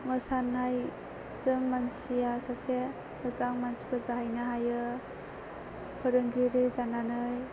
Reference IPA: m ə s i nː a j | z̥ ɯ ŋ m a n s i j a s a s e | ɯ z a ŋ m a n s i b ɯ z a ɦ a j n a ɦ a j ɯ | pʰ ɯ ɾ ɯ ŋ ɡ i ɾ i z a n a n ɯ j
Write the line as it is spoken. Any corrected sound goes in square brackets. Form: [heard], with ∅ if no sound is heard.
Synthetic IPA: m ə s [a] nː a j | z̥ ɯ ŋ m a n s i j a s a s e | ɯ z a ŋ m a n s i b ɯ z a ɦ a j n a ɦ a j ɯ | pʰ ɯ ɾ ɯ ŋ ɡ i ɾ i z a n a n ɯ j